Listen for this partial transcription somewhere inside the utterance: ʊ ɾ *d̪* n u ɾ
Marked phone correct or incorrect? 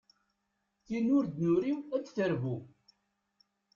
correct